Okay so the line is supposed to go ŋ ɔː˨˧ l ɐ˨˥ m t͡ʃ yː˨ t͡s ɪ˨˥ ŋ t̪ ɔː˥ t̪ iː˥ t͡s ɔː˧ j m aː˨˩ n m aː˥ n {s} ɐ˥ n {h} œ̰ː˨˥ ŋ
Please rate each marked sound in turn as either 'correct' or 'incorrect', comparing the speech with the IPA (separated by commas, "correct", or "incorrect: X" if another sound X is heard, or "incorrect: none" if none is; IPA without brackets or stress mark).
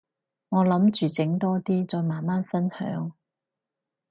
incorrect: f, correct